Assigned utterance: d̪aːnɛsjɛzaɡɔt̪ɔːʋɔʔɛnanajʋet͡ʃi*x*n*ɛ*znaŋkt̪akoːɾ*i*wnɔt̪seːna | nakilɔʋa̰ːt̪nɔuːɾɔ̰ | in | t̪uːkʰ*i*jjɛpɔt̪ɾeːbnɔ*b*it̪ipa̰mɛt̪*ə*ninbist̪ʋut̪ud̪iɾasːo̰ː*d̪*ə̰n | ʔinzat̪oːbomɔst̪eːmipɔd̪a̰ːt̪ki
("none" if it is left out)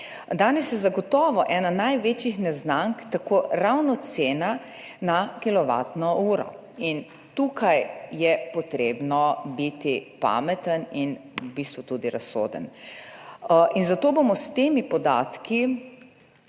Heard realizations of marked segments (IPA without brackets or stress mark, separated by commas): x, ɛ, a, a, b, ə, d̪